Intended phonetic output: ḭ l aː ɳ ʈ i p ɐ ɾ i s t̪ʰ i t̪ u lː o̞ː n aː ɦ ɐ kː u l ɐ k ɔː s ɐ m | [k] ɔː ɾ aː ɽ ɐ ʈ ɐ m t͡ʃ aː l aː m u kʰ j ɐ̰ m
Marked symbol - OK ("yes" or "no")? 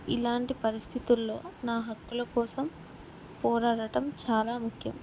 no